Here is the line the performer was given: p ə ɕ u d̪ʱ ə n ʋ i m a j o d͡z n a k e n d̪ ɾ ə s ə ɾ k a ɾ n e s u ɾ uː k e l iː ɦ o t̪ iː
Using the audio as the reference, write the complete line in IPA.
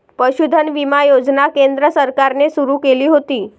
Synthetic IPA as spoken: p ə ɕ u d̪ʱ ə n ʋ i m a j o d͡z n a k e n d̪ ɾ ə s ə ɾ k a ɾ n e s u ɾ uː k e l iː ɦ o t̪ iː